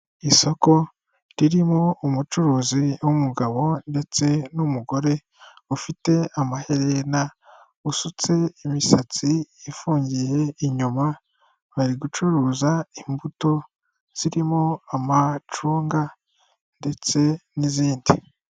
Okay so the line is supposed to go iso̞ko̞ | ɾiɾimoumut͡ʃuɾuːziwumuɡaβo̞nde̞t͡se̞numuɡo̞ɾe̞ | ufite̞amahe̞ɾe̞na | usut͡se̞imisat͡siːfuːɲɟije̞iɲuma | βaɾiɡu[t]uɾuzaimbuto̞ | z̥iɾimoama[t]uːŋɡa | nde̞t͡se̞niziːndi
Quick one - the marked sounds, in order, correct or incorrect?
incorrect: t͡ʃ, incorrect: t͡ʃ

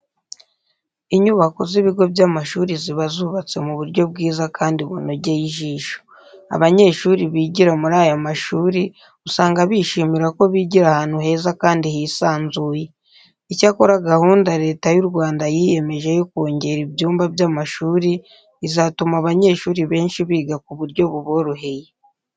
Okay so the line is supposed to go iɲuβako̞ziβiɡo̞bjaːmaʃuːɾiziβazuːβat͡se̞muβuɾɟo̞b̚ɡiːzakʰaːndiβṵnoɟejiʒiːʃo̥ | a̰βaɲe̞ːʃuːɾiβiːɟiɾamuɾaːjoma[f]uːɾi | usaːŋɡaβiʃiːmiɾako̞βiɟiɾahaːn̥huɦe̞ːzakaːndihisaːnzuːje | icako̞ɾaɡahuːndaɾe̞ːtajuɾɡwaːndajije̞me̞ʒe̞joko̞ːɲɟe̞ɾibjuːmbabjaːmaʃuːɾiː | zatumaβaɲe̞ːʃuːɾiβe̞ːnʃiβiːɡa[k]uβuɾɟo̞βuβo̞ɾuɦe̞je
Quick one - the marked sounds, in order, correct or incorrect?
incorrect: ʃ, correct

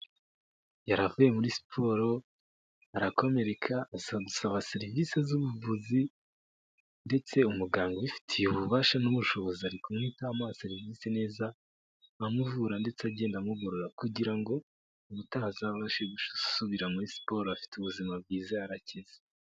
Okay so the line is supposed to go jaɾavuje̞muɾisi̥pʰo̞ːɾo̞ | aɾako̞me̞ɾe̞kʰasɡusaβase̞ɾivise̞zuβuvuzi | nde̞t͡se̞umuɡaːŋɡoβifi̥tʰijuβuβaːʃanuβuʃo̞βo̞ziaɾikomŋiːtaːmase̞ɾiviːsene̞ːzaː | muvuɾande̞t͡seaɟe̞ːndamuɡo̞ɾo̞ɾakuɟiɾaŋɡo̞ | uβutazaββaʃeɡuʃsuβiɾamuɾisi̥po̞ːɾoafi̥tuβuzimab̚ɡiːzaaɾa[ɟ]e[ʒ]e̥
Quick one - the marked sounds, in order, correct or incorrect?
incorrect: c, incorrect: z

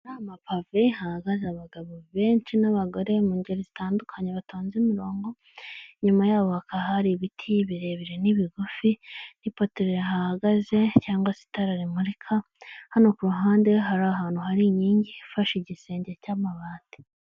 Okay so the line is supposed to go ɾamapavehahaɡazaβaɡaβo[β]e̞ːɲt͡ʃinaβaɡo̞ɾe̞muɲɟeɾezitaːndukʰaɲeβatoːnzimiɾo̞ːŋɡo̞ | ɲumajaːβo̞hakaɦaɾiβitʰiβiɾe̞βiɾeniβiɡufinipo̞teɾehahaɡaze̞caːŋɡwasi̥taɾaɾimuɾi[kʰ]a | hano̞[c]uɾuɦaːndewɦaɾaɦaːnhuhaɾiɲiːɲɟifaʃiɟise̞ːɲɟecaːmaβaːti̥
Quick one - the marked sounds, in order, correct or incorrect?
correct, correct, incorrect: k

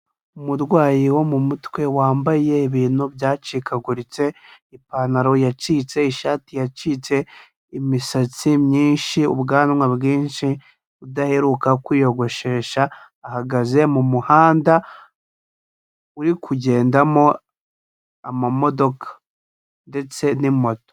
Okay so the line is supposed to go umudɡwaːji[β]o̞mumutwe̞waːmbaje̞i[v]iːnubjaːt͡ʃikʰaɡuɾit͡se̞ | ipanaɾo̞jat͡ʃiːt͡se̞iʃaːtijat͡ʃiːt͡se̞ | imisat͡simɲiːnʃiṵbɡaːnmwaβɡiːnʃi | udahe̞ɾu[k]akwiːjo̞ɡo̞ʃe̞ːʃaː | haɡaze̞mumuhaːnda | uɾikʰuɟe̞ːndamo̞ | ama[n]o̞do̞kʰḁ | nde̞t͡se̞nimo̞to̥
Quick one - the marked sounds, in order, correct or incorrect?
incorrect: w, incorrect: β, correct, incorrect: m

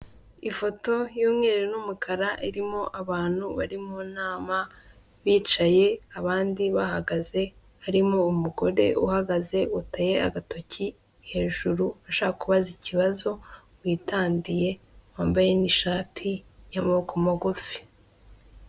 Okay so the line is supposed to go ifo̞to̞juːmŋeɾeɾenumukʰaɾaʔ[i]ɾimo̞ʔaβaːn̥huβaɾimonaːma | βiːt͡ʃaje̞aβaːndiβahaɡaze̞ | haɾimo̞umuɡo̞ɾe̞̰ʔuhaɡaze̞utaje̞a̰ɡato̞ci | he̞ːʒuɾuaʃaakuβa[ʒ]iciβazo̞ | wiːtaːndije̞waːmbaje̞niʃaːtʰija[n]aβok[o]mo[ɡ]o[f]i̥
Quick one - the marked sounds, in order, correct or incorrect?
correct, incorrect: z, incorrect: m, correct, correct, correct

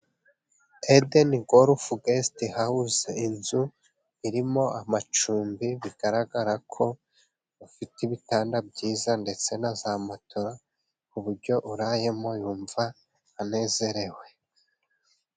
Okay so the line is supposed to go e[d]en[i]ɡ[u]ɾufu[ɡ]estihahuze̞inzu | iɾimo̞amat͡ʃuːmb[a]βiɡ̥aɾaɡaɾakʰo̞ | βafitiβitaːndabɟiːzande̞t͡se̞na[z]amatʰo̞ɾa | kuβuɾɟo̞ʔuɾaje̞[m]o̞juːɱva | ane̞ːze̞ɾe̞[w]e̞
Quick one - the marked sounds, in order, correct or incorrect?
correct, correct, incorrect: o, correct, incorrect: i, correct, correct, correct

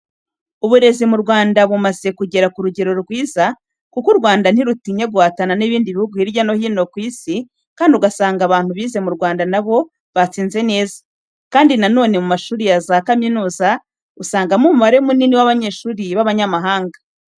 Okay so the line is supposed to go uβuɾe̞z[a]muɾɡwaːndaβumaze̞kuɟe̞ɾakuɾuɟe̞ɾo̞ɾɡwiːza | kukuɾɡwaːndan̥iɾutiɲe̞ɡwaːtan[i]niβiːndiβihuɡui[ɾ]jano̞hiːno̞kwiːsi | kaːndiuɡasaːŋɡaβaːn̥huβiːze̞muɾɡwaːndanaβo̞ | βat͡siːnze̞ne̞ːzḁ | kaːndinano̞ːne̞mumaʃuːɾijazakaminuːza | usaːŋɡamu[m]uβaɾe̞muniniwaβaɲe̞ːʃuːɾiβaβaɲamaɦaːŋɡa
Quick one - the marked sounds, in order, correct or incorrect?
incorrect: i, incorrect: a, correct, correct

